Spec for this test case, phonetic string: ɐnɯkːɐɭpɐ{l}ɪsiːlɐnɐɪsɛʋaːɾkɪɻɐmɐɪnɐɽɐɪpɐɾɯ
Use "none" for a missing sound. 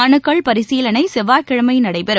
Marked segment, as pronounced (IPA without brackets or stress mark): ɾ